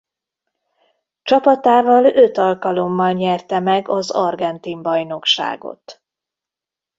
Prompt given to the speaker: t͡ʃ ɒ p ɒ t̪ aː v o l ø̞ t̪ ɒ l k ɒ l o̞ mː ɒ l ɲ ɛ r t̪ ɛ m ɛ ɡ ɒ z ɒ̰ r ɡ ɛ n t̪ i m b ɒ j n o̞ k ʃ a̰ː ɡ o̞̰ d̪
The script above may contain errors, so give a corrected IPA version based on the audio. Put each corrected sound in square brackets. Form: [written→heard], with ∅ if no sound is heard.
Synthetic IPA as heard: t͡ʃ ɒ p ɒ t̪ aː v [o→ɒ] l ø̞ t̪ ɒ l k ɒ l o̞ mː ɒ l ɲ ɛ r t̪ ɛ m ɛ ɡ ɒ z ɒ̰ r ɡ ɛ n t̪ i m b ɒ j n o̞ k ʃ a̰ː ɡ o̞̰ [d̪→t̪]